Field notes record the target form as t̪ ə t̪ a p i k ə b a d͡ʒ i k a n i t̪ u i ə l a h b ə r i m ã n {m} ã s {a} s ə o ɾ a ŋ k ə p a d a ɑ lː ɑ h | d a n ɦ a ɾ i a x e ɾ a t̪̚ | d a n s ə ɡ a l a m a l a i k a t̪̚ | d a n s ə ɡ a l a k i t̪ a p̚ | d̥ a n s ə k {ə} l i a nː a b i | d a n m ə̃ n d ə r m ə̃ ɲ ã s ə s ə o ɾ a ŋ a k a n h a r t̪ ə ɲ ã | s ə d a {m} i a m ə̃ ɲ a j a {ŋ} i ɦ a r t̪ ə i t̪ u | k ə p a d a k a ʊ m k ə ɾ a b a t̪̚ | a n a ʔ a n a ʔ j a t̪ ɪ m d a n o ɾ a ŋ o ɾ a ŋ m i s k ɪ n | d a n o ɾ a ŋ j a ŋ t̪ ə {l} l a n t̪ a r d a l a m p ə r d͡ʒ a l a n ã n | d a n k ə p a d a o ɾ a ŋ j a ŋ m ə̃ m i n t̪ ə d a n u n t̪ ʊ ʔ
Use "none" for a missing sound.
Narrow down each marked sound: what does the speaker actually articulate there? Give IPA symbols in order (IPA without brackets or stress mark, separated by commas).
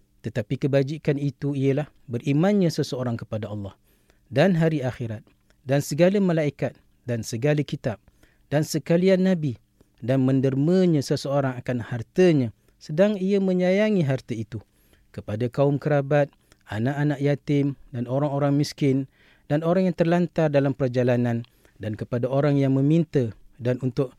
ɲ, ə, a, ŋ, ŋ, r